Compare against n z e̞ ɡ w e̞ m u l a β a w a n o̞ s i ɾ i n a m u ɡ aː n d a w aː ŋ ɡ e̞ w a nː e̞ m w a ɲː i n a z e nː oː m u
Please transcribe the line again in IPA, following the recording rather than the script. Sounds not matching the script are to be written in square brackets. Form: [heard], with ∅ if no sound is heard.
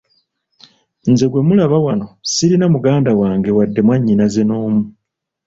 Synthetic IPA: n z e̞ ɡ w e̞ m u l a β a w a n o̞ s i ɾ i n a m u ɡ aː n d a w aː ŋ ɡ e̞ w a [dː] e̞ m w a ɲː i n a z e [n] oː m u